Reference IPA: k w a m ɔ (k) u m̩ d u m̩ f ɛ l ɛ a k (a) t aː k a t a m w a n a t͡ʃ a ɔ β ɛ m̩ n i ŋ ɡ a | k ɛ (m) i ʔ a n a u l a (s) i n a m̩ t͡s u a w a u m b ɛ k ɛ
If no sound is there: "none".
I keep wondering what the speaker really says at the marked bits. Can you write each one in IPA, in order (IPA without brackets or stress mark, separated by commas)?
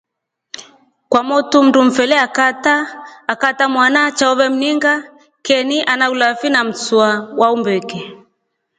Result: t, a, n, f